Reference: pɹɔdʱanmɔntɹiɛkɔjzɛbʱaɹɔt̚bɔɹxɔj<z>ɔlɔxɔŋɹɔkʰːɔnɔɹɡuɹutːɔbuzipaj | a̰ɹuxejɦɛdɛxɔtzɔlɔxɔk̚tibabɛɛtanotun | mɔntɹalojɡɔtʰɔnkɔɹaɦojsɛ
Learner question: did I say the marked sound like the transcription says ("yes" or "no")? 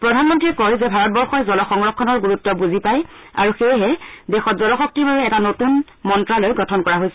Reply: yes